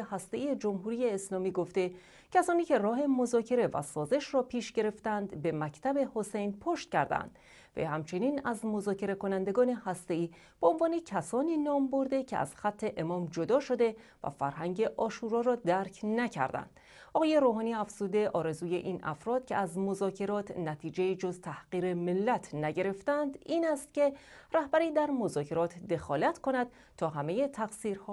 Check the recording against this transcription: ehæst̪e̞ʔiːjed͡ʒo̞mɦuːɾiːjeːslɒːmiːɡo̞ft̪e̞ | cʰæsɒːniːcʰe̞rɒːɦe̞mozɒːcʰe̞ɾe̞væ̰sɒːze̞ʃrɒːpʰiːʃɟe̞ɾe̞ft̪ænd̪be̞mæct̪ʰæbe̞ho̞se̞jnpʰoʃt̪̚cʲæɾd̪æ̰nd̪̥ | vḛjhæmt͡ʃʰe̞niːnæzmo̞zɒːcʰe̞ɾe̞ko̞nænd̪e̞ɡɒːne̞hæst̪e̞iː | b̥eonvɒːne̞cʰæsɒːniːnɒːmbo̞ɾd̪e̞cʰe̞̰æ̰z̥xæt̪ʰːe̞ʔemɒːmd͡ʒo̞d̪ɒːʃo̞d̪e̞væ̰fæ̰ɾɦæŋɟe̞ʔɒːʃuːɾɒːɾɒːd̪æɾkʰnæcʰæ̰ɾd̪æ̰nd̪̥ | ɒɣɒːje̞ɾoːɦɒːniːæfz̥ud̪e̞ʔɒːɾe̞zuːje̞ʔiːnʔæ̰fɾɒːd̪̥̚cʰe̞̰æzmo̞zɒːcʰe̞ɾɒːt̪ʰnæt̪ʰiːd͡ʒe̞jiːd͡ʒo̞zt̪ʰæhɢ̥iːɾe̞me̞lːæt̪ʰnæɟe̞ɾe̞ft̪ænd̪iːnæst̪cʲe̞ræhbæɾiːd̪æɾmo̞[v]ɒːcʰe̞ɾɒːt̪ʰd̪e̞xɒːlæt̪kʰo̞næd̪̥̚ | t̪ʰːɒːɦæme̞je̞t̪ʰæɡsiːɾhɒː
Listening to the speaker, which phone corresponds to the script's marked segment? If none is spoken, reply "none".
z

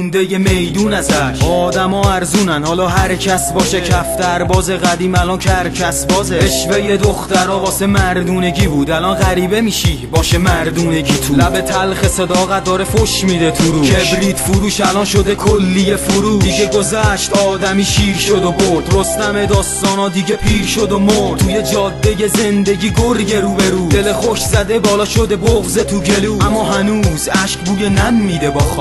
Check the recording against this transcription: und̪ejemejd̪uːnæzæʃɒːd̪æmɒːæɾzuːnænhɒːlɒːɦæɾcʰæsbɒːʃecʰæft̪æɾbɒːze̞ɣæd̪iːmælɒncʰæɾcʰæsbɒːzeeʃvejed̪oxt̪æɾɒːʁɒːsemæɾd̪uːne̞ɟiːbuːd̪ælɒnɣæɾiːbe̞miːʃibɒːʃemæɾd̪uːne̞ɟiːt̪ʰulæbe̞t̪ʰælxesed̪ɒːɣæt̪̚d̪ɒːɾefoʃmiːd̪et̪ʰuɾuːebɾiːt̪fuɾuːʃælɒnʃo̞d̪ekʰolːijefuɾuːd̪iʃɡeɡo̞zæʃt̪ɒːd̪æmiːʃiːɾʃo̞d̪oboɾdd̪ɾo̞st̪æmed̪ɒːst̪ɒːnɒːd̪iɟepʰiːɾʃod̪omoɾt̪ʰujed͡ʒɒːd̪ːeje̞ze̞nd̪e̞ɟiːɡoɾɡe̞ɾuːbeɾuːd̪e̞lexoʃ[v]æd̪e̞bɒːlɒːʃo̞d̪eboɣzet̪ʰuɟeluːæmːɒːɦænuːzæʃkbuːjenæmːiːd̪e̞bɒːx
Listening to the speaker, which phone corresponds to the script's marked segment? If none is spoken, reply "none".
z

